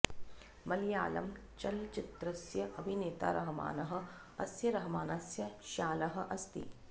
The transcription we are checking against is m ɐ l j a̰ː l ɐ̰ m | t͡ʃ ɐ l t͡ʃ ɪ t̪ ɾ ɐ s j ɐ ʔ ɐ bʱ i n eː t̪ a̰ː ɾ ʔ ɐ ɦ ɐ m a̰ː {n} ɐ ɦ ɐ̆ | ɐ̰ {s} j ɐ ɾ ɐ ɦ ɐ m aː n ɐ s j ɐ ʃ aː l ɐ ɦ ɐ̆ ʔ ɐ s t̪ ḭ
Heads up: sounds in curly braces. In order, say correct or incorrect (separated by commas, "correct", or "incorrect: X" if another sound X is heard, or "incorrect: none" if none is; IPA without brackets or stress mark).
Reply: correct, correct